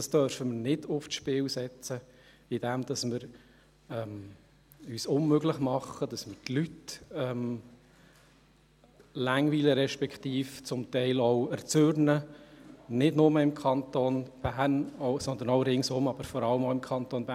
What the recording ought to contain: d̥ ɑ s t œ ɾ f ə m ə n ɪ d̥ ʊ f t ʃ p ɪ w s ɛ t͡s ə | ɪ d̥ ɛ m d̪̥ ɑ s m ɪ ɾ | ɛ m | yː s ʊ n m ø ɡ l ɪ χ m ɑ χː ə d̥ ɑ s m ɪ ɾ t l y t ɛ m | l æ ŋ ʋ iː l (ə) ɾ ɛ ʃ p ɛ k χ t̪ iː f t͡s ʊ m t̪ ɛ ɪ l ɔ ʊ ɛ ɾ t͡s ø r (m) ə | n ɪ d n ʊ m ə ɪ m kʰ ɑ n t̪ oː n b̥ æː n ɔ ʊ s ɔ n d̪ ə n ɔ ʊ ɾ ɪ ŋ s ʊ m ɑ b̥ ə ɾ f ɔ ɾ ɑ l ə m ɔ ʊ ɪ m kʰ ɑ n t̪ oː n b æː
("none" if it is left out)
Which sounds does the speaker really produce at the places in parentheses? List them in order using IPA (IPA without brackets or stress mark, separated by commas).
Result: ə, n